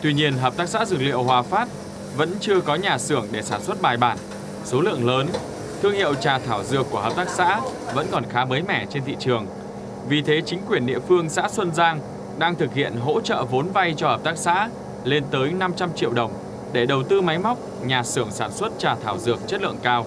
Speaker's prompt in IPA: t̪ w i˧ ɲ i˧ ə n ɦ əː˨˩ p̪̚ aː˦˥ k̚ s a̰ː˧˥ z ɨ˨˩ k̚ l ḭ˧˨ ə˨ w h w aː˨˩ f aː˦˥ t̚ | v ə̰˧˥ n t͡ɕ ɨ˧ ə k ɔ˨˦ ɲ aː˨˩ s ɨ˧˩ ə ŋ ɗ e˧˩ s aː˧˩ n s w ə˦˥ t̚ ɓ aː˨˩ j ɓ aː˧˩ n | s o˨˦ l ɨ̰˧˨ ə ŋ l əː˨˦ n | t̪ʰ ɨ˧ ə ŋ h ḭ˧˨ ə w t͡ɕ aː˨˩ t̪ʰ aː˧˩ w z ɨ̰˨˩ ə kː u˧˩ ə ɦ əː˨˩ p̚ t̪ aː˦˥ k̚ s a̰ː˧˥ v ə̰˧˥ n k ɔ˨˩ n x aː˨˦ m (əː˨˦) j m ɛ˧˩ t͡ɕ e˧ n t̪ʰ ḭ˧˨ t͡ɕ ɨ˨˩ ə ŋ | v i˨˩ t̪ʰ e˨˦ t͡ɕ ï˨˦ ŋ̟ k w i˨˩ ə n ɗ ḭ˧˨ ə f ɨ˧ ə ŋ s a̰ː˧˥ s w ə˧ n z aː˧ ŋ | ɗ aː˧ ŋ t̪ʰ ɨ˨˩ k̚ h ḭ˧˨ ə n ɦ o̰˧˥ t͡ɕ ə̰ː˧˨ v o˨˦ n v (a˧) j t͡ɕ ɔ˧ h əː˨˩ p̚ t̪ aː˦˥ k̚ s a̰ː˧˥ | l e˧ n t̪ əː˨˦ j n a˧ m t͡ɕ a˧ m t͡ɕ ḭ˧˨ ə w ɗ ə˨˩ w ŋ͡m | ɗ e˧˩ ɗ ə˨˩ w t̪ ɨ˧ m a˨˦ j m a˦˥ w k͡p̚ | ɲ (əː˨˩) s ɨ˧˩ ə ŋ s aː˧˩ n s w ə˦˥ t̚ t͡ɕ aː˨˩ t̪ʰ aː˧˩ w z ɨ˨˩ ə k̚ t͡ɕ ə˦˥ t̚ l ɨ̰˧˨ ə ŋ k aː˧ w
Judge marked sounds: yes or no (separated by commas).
yes, yes, no